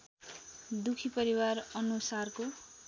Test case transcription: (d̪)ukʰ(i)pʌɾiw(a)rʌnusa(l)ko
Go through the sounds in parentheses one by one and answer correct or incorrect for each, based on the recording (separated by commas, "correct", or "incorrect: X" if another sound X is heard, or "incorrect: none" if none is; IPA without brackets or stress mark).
correct, correct, correct, incorrect: r